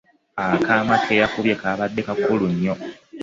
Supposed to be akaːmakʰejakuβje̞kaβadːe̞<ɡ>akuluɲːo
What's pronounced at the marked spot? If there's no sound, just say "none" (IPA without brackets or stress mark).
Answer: k